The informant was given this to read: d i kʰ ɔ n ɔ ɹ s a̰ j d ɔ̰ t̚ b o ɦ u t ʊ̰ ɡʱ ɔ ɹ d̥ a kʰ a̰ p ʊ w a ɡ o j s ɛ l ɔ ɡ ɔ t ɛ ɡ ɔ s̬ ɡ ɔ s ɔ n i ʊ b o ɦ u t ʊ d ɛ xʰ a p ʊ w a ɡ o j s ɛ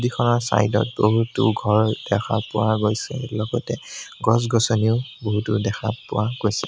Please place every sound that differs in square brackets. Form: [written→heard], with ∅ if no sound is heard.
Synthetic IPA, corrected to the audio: d i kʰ ɔ n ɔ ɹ s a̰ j d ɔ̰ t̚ b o ɦ u t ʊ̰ ɡʱ ɔ ɹ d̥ [a→ɛ] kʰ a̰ p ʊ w a ɡ o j s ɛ l ɔ ɡ ɔ t ɛ ɡ ɔ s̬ ɡ ɔ s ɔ n i ʊ b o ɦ u t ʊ d ɛ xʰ a p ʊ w a ɡ o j s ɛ

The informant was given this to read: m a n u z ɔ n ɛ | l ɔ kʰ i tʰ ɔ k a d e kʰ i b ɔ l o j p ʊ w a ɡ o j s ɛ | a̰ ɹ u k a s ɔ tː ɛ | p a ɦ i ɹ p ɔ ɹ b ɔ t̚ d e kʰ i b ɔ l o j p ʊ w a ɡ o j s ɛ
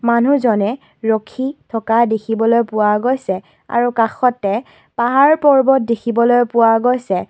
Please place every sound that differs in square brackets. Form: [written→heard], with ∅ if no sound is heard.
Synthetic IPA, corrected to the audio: m a n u z ɔ n ɛ | [l→ɹ] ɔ kʰ i tʰ ɔ k a d e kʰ i b ɔ l o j p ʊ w a ɡ o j s ɛ | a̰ ɹ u k a [s→x] ɔ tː ɛ | p a ɦ [i→a] ɹ p ɔ ɹ b ɔ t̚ d e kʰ i b ɔ l o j p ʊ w a ɡ o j s ɛ

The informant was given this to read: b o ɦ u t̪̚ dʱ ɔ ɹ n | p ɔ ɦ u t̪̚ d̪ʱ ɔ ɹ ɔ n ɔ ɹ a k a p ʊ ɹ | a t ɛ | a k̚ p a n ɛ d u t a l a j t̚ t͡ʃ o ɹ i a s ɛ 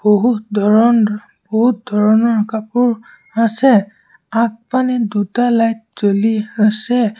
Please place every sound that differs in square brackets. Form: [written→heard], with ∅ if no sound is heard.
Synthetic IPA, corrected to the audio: b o ɦ u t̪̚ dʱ ɔ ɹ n | [p→b] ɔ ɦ u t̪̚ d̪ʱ ɔ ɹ ɔ n ɔ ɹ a k a p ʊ ɹ | a [t→s] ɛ | a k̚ p a n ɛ d u t a l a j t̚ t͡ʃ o [ɹ→l] i a s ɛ

